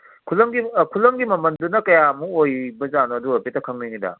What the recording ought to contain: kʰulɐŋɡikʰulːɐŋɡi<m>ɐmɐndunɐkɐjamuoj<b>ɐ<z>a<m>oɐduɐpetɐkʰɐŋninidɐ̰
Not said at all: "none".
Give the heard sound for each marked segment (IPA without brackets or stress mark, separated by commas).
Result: m, b, z, n